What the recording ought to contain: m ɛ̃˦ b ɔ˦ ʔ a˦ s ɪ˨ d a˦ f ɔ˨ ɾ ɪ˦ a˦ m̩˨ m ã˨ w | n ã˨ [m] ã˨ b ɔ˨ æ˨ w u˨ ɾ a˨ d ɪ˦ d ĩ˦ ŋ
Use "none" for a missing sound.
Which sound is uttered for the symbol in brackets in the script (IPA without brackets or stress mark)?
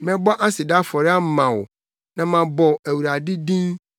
m